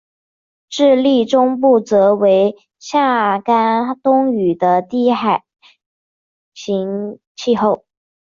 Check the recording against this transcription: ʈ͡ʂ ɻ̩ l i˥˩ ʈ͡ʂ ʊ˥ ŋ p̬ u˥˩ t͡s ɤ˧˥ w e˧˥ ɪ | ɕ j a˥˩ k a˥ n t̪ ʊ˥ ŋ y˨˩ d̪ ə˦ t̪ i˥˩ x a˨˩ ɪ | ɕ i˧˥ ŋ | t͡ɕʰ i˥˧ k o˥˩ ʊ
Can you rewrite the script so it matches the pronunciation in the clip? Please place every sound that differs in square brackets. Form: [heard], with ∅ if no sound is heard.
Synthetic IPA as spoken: ʈ͡ʂ ɻ̩ l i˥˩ ʈ͡ʂ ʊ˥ ŋ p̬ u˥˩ t͡s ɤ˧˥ w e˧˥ ɪ | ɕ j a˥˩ k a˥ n t̪ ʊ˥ ŋ y˨˩ d̪ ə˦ t̪ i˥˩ x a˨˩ ɪ | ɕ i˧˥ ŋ | t͡ɕʰ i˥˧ [x] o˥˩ ʊ